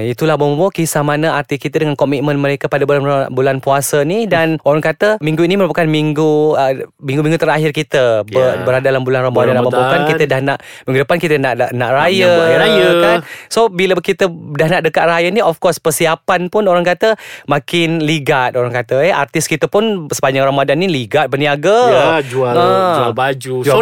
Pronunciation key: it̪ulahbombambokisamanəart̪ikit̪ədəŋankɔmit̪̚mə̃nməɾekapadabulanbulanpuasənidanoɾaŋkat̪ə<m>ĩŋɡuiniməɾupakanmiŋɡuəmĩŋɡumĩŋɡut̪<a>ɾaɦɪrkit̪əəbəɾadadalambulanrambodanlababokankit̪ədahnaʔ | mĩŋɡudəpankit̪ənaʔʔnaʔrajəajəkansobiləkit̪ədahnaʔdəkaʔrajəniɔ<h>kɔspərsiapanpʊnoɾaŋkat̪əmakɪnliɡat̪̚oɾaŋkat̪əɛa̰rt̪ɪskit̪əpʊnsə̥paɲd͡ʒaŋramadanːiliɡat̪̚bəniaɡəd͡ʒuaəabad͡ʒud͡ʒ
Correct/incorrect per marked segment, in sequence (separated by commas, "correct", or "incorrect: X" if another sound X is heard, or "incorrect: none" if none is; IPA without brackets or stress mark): correct, incorrect: ə, incorrect: f